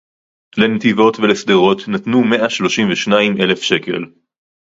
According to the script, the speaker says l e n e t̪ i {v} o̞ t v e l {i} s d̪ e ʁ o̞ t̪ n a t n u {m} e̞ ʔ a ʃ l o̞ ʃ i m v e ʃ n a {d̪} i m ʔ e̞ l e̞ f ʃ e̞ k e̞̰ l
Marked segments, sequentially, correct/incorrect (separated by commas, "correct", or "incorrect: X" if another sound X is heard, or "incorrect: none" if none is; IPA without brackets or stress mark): correct, incorrect: e, correct, incorrect: none